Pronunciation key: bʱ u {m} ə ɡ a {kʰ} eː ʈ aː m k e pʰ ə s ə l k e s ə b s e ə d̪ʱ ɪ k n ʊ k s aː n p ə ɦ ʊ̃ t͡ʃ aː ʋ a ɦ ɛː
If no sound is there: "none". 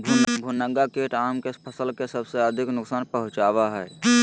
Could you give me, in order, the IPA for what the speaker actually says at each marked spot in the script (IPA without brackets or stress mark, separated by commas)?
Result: n, k